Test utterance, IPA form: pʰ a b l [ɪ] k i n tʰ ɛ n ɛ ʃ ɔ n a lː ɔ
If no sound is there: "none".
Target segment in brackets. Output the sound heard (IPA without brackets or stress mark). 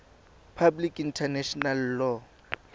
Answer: i